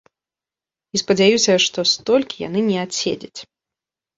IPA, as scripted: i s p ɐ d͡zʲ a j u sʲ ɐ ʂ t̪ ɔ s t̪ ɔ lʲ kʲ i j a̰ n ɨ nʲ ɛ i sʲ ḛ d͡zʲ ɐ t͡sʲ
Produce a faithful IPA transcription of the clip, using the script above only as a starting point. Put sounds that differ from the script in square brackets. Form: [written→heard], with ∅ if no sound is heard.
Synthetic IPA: i s p ɐ d͡zʲ a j u sʲ ɐ ʂ t̪ ɔ s t̪ ɔ lʲ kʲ i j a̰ n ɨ nʲ ɛ [i→a] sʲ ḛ d͡zʲ ɐ t͡sʲ